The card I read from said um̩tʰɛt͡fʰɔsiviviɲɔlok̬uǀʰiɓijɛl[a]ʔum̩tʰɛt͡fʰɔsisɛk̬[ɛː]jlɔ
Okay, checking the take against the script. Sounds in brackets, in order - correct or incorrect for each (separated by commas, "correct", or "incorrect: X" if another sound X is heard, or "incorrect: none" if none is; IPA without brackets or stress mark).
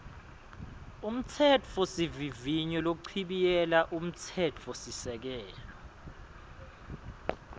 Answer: correct, correct